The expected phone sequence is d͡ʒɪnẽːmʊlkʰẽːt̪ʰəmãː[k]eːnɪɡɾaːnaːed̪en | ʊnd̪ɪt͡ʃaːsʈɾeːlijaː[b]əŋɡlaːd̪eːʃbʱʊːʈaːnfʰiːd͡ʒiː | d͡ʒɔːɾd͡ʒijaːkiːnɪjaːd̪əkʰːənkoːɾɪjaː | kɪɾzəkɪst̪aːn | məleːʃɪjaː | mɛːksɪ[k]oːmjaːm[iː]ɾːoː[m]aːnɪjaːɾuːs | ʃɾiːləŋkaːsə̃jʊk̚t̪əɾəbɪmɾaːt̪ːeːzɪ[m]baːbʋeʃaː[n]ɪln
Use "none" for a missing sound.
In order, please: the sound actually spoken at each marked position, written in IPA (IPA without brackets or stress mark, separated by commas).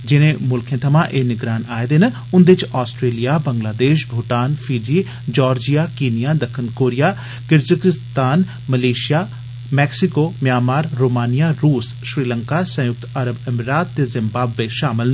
ʔ, b, k, aː, m, m, m